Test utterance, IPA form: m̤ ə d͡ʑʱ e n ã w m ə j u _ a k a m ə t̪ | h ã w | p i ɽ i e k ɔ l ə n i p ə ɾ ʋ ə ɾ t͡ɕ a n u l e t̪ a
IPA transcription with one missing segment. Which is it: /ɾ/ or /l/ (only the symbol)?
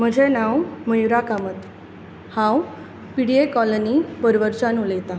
ɾ